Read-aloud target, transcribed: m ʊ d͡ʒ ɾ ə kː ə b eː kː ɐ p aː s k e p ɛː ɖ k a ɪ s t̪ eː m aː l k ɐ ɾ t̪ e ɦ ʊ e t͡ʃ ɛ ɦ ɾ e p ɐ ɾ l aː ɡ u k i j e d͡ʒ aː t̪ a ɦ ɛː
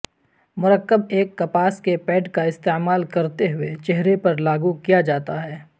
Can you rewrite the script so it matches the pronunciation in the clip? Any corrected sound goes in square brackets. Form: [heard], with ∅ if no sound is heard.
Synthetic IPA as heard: m ʊ [∅] ɾ ə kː ə b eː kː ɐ p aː s k e p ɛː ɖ k a ɪ s t̪ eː m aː l k ɐ ɾ t̪ e ɦ ʊ e t͡ʃ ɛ ɦ ɾ e p ɐ ɾ l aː ɡ u k i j [a] d͡ʒ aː t̪ a ɦ ɛː

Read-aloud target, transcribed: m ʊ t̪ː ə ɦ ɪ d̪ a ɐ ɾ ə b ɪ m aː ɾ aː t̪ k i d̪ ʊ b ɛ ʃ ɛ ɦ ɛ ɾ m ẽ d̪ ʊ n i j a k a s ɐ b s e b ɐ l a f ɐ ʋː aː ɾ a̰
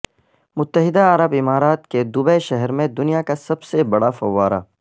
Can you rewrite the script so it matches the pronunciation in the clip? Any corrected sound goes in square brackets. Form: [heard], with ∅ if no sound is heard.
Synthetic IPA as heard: m ʊ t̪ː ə ɦ ɪ d̪ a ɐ ɾ ə b ɪ m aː ɾ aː t̪ k [e] d̪ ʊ b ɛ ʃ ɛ ɦ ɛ ɾ m ẽ d̪ ʊ n i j a k a s ɐ b s e b ɐ [ɽ] a f ɐ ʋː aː ɾ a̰

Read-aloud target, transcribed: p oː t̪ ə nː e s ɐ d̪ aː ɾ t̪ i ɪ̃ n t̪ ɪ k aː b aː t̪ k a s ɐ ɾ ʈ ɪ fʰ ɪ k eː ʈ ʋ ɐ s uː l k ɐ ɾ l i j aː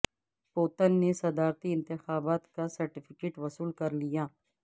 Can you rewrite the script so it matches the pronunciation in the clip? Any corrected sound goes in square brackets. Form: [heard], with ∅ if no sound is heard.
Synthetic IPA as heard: p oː t̪ ə nː e s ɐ d̪ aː ɾ t̪ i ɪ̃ n t̪ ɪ [x] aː b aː t̪ k a s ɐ ɾ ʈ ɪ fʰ ɪ k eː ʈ ʋ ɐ s uː l k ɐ ɾ l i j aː

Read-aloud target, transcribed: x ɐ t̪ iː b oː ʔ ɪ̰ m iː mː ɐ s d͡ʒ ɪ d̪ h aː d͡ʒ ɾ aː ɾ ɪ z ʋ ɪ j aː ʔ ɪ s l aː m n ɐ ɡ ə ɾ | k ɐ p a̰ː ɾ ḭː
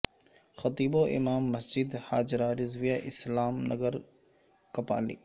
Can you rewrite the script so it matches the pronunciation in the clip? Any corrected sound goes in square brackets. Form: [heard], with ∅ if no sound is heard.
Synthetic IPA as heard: x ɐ t̪ iː b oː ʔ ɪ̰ m [aː] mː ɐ s d͡ʒ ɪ d̪ h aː d͡ʒ ɾ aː ɾ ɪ z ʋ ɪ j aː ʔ ɪ s l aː m n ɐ ɡ ə ɾ | k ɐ p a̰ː [l] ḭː

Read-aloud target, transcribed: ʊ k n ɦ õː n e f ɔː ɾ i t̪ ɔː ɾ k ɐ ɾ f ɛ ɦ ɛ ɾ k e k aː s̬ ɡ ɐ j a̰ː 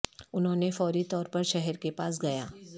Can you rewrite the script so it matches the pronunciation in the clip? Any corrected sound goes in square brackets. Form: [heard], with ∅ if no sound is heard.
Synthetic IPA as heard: ʊ [∅] n ɦ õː n e f ɔː ɾ i t̪ ɔː ɾ [p] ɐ ɾ [ʃ] ɛ ɦ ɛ ɾ k e [p] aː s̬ ɡ ɐ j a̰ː

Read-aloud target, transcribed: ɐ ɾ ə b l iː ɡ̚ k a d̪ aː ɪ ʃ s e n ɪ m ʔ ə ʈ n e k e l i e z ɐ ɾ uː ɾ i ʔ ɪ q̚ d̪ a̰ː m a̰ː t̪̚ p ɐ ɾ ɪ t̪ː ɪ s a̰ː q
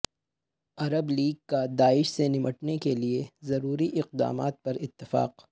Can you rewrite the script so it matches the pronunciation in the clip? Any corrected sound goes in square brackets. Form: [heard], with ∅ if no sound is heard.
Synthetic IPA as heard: ɐ ɾ ə b l iː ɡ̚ k a d̪ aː ɪ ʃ s e n ɪ m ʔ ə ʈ n e k e l i e z ɐ ɾ uː ɾ i ʔ ɪ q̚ d̪ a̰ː m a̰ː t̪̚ p ɐ ɾ ɪ t̪ː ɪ [f] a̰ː q

